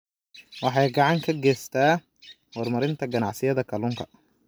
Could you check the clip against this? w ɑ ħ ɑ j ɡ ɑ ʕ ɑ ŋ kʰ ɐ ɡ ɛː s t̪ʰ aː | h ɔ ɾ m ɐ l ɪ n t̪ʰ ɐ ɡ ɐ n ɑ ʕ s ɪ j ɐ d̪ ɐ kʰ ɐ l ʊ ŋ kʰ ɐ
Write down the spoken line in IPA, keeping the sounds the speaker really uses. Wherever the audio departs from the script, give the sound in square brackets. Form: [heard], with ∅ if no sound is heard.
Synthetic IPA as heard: w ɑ ħ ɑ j ɡ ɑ ʕ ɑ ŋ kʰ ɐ ɡ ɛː s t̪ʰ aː | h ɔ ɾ m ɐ [ɾ] ɪ n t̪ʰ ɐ ɡ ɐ n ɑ ʕ s ɪ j ɐ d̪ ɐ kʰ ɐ l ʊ ŋ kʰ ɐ